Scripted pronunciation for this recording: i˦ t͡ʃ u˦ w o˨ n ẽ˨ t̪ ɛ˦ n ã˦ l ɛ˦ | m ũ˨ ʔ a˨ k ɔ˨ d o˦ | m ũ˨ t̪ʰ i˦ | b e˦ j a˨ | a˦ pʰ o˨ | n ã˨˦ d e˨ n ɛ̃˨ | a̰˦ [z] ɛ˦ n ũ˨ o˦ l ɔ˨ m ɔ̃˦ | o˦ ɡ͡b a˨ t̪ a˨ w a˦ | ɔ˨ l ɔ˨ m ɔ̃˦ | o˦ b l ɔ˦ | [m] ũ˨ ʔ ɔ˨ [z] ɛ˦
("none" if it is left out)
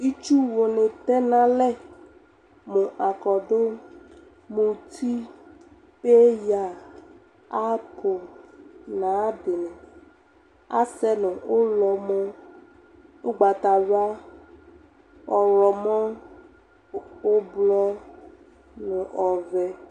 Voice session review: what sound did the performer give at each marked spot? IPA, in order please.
s, n, v

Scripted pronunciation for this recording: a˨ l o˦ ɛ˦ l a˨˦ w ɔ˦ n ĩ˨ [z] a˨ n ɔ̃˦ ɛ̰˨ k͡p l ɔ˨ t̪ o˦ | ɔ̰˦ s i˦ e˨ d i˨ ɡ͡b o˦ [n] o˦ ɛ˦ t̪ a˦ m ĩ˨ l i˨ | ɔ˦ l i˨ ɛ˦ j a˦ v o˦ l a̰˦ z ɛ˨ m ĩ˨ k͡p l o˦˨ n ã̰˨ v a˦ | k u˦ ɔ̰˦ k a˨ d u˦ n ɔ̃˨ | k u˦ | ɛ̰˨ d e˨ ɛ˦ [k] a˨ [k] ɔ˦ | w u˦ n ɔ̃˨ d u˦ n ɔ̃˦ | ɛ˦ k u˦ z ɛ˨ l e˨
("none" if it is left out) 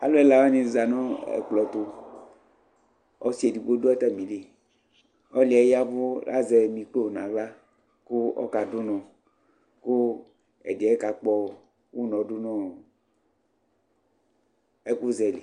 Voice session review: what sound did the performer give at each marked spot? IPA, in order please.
z, d, k, k͡p

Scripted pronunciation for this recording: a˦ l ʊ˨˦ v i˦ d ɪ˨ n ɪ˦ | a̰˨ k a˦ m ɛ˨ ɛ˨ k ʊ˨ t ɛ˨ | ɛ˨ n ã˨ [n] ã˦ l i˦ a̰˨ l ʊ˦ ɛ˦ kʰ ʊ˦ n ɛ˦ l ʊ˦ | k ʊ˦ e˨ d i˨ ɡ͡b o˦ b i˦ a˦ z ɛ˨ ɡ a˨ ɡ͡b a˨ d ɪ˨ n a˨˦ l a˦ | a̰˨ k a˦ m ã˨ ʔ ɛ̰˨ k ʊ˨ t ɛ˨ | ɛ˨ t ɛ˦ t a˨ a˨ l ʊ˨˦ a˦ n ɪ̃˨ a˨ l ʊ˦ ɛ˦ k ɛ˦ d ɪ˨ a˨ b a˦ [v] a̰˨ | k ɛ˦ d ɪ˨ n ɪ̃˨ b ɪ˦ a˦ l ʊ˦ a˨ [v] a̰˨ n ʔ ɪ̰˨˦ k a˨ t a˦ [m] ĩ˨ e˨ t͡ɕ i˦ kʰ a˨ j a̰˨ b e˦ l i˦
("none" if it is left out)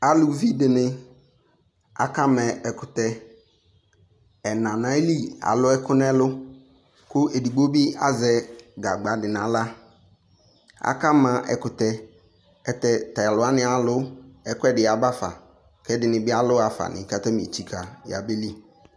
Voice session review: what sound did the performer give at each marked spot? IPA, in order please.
n, f, f, m

